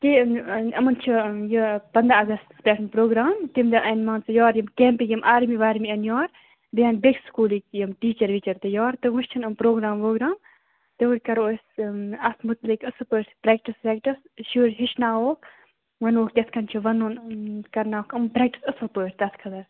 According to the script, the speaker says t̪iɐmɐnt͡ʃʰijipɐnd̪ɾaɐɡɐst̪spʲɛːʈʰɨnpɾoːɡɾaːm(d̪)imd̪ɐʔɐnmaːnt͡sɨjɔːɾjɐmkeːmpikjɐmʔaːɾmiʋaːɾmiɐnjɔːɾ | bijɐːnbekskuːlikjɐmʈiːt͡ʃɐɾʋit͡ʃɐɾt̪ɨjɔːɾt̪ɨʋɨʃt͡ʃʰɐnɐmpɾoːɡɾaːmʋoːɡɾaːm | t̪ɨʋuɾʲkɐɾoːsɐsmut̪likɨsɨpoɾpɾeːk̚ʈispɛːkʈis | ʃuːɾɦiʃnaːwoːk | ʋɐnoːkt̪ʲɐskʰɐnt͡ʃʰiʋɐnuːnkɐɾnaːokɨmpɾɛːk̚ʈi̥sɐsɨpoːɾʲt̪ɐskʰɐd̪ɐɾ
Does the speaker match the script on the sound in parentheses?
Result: no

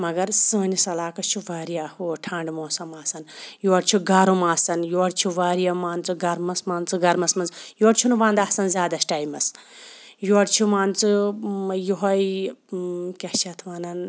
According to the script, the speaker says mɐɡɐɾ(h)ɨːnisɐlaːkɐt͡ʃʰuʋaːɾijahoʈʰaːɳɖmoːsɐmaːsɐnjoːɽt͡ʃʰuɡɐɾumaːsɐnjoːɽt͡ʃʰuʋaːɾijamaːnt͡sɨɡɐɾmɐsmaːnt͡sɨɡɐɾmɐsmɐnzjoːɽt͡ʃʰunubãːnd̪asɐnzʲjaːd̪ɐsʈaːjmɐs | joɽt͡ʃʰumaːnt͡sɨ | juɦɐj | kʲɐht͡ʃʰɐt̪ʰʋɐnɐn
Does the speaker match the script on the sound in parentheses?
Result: no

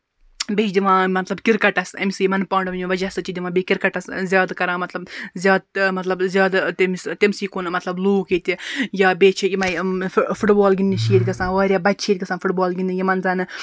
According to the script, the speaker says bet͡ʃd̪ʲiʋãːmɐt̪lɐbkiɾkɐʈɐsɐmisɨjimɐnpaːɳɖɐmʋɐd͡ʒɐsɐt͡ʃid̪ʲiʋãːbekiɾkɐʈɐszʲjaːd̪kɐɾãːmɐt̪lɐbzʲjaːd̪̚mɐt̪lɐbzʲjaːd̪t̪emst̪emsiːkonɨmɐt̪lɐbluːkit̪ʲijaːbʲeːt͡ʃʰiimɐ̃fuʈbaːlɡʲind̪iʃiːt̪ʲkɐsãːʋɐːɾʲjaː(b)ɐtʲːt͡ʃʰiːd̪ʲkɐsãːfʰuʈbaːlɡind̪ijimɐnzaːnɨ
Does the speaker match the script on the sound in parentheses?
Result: yes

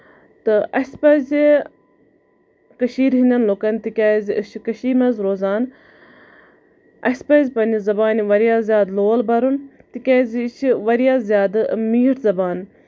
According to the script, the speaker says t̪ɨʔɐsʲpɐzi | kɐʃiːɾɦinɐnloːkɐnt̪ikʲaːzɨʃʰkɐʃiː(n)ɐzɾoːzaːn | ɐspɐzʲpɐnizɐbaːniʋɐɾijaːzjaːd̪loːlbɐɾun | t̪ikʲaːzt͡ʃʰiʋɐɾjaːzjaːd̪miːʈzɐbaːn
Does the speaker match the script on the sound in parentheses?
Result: no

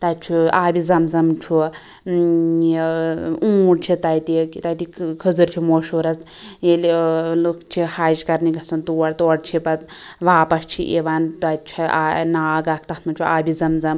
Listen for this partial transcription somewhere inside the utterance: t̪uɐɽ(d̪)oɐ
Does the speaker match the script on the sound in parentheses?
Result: no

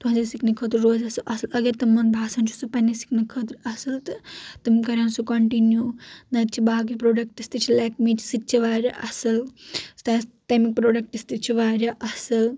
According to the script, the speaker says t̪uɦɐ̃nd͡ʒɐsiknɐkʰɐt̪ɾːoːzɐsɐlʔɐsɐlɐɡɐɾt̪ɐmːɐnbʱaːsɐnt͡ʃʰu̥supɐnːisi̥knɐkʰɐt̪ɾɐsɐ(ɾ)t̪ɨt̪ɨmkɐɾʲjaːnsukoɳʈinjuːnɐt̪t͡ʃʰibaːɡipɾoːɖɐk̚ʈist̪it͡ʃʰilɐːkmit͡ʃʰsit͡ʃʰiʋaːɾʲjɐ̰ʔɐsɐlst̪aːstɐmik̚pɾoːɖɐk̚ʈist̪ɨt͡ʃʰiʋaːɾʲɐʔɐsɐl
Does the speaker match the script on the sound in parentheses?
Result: no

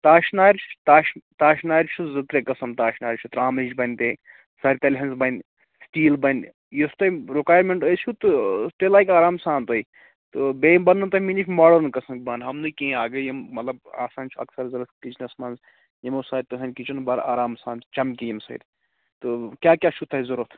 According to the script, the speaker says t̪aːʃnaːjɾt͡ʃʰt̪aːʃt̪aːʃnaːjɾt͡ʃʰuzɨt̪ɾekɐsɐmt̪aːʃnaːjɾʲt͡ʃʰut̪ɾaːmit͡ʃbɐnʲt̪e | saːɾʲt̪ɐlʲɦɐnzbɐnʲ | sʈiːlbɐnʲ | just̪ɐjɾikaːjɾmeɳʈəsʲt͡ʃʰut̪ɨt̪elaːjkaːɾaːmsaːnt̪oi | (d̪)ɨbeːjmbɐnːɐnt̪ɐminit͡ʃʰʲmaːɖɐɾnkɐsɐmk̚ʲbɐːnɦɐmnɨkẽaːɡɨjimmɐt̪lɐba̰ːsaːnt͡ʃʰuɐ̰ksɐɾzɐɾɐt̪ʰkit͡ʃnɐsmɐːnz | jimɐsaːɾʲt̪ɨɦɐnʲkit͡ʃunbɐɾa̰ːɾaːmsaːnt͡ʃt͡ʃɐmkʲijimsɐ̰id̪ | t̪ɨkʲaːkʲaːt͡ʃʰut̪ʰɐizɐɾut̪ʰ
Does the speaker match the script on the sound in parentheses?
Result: no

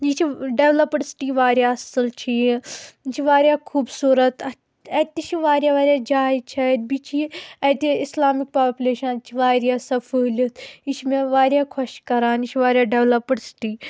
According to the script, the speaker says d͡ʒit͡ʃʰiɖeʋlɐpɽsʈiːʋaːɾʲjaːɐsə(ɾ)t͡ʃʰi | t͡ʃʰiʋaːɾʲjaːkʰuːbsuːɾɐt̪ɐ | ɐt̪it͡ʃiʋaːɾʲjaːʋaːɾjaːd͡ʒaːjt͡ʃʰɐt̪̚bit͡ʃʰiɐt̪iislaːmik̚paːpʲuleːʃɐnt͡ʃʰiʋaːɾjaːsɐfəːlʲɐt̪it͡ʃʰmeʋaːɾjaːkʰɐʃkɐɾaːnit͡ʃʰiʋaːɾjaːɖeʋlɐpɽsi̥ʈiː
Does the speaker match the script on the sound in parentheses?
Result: no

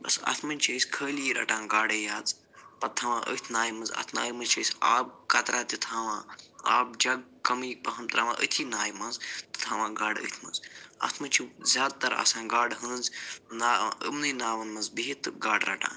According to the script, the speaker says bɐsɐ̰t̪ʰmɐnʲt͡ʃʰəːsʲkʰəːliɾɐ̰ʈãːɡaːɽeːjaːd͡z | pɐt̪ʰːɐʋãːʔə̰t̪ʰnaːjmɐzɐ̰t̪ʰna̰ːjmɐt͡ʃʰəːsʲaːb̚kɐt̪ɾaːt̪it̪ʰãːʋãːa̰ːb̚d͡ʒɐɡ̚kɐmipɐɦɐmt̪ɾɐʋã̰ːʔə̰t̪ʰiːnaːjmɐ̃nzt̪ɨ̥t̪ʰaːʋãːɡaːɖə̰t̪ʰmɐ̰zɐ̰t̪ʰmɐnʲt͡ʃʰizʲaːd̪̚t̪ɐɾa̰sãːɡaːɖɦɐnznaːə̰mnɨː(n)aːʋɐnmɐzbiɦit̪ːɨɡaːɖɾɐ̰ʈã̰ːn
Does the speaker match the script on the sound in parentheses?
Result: yes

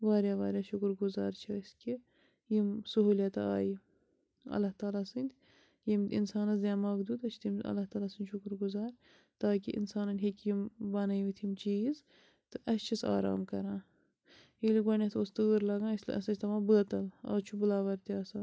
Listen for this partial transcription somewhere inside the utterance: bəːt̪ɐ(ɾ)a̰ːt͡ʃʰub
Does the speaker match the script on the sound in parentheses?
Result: no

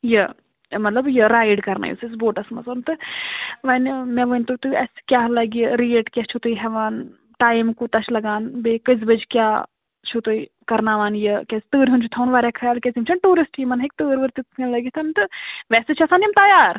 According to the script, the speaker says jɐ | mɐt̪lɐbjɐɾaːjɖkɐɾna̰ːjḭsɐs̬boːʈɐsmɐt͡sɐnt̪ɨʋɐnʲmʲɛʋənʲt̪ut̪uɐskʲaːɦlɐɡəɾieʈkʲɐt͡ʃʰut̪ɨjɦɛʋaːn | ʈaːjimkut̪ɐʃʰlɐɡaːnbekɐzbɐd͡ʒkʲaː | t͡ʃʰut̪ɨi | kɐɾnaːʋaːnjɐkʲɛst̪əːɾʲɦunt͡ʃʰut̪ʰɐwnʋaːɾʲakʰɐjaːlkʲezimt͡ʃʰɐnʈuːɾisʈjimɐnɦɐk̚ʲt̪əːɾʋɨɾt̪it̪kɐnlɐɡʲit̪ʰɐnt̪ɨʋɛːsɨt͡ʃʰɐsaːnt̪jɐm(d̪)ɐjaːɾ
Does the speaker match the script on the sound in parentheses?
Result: no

